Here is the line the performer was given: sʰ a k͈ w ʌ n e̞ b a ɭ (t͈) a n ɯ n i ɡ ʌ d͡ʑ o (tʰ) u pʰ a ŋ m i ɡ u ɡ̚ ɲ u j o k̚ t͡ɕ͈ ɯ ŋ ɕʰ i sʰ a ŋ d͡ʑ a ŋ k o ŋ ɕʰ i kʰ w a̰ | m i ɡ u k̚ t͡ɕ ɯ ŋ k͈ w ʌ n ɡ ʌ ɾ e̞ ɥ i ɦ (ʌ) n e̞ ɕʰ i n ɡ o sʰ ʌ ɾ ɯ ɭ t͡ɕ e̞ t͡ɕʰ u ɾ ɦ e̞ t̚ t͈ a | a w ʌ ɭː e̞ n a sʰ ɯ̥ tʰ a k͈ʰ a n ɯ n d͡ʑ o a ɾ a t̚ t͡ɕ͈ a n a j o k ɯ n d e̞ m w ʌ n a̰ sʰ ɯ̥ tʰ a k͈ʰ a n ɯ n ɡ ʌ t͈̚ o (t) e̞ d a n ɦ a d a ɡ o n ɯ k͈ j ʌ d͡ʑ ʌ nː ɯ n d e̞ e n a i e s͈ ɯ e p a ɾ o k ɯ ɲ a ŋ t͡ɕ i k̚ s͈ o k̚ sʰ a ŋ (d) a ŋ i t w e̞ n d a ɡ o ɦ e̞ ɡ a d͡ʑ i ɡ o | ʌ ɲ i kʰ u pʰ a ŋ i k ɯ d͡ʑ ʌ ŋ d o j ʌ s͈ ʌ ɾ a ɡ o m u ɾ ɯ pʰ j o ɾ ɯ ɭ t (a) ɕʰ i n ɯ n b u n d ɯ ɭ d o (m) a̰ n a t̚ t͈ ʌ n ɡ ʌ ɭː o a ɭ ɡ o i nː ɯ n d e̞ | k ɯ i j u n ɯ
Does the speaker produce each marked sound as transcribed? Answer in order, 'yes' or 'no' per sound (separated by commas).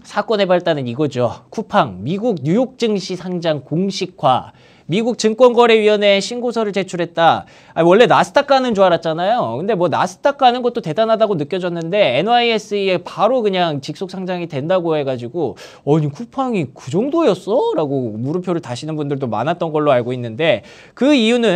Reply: yes, no, yes, yes, no, yes, yes